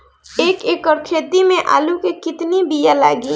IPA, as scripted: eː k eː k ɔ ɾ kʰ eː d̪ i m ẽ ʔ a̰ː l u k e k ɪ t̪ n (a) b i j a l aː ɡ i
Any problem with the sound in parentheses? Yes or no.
yes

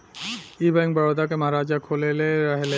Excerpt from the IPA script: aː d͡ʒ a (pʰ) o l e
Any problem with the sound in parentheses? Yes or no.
yes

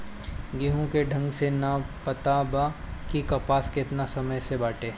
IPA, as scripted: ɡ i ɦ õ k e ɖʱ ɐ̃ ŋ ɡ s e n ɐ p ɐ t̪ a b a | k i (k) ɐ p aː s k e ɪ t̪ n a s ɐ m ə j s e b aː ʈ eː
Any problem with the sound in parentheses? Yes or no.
no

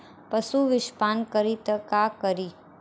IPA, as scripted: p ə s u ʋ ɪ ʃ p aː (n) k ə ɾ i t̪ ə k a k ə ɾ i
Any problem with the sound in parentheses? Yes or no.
no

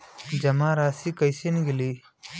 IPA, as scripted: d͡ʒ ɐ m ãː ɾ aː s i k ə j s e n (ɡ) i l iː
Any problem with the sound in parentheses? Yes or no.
no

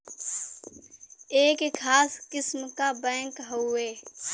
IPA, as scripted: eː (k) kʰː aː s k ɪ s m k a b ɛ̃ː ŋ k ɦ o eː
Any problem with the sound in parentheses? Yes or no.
no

